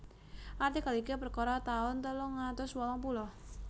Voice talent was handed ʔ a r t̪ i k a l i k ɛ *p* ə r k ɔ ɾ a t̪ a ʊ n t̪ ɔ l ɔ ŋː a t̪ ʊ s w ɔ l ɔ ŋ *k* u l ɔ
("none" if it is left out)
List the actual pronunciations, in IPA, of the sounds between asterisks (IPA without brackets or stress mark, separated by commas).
p, p